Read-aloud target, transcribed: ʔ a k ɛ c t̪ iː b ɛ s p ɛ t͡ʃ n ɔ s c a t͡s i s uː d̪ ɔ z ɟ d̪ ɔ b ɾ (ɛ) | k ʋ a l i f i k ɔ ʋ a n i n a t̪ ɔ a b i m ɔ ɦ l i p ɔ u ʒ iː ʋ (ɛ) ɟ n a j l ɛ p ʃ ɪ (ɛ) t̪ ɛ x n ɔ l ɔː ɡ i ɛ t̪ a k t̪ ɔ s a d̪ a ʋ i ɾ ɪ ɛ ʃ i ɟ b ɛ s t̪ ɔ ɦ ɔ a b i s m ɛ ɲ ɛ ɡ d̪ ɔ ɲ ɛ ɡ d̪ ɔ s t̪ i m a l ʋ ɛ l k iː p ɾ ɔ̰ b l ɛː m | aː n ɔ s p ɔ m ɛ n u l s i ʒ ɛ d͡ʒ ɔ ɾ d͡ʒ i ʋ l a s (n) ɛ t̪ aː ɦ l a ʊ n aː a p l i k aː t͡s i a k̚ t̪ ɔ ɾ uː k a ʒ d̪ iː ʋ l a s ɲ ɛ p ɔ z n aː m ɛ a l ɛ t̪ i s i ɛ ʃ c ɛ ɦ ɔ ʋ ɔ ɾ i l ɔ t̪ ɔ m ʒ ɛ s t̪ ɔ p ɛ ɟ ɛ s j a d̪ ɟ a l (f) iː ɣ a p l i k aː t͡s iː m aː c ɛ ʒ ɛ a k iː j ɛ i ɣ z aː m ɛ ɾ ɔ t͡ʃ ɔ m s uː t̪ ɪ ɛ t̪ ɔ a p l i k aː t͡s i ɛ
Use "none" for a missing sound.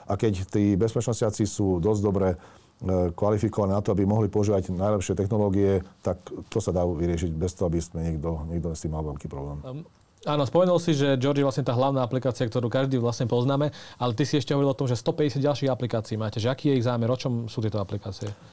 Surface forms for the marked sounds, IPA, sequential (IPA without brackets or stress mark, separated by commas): ɛ, a, ɛ, ɲ, ʃ